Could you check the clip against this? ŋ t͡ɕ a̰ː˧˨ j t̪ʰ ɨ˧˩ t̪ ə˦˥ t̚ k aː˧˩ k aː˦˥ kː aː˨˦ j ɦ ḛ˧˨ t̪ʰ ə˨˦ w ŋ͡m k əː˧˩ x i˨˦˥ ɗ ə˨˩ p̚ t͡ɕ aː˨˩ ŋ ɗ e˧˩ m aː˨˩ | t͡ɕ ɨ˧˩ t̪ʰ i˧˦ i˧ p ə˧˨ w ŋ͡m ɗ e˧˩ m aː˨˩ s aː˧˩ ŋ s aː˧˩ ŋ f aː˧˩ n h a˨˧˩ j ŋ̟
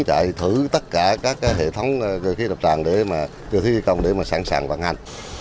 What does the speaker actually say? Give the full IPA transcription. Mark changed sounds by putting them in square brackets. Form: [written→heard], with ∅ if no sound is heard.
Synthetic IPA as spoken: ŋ t͡ɕ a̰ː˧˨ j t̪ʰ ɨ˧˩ t̪ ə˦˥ t̚ k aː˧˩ k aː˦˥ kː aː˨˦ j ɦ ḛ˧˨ t̪ʰ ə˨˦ w ŋ͡m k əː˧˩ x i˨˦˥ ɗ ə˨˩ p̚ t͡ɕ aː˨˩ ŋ ɗ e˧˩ m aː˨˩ | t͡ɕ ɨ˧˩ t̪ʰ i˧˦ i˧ [p→k] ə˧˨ w ŋ͡m ɗ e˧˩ m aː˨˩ s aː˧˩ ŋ s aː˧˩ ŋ [f→v] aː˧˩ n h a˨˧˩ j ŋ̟